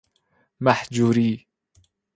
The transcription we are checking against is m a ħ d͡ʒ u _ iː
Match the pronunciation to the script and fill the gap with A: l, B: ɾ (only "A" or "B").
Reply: B